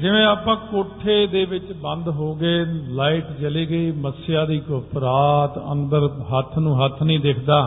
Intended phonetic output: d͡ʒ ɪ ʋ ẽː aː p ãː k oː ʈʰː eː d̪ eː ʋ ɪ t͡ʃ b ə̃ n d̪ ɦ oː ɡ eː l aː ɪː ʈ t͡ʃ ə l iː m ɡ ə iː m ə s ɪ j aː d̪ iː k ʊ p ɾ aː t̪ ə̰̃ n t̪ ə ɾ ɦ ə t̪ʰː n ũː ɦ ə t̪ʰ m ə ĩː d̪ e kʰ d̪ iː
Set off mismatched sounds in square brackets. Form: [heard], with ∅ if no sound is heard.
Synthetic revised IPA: d͡ʒ ɪ ʋ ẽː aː p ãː k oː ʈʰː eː d̪ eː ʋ ɪ t͡ʃ b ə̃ n d̪ ɦ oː ɡ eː l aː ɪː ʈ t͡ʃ ə l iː [∅] ɡ ə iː m ə s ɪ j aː d̪ iː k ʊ p ɾ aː t̪ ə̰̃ n [d̪] ə ɾ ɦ ə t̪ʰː n ũː ɦ ə t̪ʰ [n] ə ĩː d̪ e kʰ d̪ [aː]